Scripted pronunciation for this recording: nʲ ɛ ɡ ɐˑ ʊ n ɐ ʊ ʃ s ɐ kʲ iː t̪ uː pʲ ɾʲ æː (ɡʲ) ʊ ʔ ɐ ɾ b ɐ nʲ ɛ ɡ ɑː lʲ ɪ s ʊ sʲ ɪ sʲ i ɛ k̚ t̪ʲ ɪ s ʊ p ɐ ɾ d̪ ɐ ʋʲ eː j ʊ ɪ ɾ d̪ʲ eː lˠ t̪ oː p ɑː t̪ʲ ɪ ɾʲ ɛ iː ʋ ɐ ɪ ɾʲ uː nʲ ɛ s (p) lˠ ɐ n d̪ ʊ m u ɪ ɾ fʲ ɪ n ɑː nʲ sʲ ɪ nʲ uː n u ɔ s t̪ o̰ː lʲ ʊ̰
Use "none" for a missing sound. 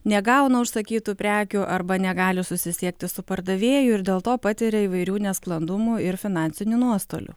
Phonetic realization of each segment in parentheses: kʲ, k

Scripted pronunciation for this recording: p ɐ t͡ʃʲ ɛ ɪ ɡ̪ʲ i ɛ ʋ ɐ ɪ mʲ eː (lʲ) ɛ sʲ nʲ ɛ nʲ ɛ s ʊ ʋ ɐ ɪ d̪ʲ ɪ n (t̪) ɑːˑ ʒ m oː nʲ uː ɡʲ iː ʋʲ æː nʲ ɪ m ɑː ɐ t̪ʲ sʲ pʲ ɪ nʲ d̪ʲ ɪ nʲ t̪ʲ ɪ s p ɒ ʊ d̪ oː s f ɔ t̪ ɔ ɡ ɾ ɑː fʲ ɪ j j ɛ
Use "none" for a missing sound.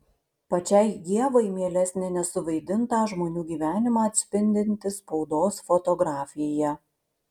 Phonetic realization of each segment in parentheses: lʲ, t̪

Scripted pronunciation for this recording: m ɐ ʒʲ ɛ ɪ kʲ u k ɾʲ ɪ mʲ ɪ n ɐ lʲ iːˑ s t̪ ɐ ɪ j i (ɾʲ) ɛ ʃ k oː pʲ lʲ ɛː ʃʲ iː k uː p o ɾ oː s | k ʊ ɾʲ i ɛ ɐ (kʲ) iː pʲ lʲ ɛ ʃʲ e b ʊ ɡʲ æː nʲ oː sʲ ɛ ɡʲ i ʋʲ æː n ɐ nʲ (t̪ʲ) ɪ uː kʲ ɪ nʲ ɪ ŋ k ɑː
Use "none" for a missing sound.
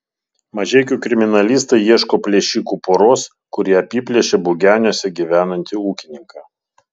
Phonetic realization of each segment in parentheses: none, pʲ, t̪ʲ

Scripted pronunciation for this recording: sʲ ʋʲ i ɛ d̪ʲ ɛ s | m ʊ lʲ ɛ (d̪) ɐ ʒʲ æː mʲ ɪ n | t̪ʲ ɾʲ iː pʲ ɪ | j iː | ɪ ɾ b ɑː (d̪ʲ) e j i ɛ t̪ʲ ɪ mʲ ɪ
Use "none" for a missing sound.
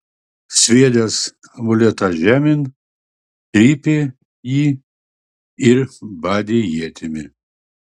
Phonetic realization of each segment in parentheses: t̪, d̪ʲ

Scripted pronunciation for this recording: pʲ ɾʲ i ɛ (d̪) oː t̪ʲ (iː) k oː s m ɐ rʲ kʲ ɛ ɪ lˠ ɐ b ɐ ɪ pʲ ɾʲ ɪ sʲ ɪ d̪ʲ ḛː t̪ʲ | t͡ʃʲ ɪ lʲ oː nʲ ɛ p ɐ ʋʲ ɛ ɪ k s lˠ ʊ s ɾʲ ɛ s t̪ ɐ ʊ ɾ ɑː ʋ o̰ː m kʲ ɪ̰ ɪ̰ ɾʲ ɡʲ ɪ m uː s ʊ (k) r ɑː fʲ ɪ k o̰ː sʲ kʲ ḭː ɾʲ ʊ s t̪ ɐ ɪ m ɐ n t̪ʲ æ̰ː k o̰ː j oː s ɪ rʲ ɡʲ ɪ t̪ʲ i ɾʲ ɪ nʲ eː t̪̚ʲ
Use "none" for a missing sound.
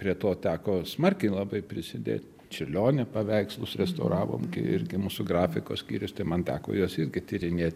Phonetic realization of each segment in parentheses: t̪, æː, ɡ

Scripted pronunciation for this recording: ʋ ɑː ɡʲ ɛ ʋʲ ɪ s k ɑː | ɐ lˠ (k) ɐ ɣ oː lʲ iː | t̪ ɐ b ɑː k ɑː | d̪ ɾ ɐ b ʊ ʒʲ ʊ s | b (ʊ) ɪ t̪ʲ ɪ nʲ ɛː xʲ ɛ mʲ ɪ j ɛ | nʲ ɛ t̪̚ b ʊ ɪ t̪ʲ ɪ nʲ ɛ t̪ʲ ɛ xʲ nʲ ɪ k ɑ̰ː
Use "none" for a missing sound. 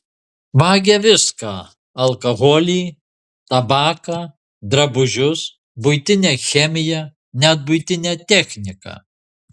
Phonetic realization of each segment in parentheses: k, ʊ

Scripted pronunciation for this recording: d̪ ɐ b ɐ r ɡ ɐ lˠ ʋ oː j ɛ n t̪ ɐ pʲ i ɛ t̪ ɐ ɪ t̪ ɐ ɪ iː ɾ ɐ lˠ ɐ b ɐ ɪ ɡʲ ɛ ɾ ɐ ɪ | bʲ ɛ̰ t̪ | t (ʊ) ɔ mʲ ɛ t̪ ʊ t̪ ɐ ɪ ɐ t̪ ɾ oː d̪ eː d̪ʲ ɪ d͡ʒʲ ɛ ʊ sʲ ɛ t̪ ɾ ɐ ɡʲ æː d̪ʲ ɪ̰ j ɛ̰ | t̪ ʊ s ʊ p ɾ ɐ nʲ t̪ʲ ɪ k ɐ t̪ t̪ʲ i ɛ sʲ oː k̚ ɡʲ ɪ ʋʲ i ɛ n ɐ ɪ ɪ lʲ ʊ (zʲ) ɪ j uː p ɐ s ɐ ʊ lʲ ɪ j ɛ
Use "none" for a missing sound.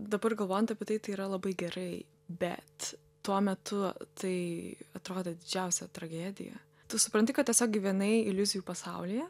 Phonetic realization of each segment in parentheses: u, zʲ

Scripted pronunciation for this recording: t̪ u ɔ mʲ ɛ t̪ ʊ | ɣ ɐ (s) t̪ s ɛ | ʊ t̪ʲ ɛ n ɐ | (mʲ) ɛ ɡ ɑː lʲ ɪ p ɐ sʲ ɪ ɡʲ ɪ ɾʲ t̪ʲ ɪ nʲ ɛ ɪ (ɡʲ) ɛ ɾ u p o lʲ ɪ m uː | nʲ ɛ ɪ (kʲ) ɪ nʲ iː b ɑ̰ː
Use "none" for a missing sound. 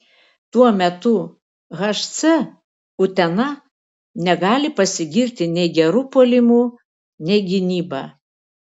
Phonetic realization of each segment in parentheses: ʃ, nʲ, ɡʲ, ɡʲ

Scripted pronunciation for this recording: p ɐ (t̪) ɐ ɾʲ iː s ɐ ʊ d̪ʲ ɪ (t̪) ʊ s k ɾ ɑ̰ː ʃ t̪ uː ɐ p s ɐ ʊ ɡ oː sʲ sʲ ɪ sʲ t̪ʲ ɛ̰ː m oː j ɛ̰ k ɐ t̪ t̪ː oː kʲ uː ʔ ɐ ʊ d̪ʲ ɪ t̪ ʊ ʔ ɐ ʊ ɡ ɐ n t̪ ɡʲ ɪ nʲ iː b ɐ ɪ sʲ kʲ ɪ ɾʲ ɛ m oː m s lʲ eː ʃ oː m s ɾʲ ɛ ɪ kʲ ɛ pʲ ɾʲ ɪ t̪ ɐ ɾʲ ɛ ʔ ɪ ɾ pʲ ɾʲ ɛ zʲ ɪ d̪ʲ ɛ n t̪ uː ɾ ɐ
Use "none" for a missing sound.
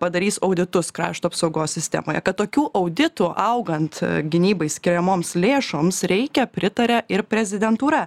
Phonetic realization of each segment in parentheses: d̪, t̪

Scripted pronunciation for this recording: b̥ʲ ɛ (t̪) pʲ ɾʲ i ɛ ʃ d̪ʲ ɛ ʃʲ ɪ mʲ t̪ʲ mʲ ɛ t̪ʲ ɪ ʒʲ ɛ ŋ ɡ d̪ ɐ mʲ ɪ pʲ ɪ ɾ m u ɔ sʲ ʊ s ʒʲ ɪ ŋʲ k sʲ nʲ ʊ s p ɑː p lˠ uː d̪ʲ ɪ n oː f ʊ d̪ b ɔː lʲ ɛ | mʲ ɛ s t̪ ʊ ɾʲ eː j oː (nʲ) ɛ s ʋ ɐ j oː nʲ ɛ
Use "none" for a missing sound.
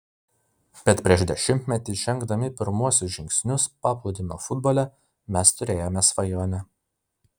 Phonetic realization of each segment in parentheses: t̪, mʲ

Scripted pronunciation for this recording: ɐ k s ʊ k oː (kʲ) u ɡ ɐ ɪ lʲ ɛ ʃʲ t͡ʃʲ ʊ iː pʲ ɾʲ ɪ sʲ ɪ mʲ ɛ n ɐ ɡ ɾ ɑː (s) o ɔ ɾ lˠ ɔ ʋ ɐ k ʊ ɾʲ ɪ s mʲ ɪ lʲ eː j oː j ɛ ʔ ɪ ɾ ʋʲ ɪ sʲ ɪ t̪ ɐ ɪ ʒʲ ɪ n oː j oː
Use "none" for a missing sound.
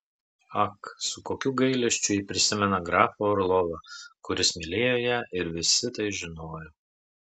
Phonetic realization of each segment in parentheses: kʲ, f

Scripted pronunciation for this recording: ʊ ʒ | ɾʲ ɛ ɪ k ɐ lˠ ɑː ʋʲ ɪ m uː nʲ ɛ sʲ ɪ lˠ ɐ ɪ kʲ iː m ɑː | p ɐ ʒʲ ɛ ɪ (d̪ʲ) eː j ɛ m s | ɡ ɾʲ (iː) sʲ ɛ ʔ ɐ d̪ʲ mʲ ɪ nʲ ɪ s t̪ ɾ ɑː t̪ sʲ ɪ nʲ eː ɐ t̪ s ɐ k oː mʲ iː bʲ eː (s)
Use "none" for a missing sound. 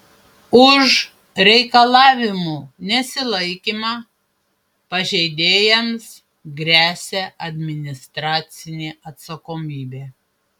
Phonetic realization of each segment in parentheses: d̪ʲ, æː, none

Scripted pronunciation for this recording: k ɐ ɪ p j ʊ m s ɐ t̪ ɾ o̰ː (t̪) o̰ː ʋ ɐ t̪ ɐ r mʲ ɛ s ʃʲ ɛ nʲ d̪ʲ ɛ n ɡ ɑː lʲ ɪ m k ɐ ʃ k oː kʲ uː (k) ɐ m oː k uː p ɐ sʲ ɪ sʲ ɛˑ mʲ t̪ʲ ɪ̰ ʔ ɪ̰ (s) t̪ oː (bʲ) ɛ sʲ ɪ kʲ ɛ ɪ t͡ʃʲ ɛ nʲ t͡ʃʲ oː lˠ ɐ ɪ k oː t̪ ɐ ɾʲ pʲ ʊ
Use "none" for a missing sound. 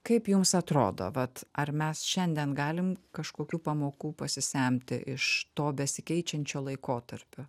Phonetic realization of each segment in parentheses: d̪, p, ʃ, bʲ

